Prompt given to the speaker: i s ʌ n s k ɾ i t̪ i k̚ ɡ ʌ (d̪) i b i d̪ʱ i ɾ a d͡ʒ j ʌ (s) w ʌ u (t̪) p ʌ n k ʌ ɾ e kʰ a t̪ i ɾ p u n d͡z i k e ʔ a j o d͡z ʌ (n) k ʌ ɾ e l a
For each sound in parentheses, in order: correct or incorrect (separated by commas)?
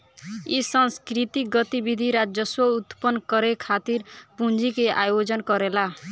incorrect, correct, correct, correct